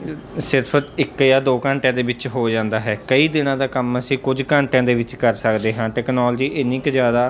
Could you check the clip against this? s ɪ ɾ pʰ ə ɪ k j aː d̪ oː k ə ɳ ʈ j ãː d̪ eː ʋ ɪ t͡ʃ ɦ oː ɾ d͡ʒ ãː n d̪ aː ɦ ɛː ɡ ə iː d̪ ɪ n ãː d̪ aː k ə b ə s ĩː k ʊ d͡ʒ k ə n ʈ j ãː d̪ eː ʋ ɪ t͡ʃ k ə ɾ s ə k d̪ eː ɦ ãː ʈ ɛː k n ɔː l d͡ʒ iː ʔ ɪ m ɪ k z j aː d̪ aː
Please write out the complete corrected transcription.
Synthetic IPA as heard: s ɪ ɾ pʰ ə ɪ k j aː d̪ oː k ə ɳ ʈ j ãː d̪ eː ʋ ɪ t͡ʃ ɦ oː d͡ʒ ãː n d̪ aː ɦ ɛː k ə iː d̪ ɪ n ãː d̪ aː k ə m ə s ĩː k ʊ d͡ʒ k ə ɳ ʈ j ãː d̪ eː ʋ ɪ t͡ʃ k ə ɾ s ə k d̪ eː ɦ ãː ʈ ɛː k n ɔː l d͡ʒ iː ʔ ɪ n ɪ k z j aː d̪ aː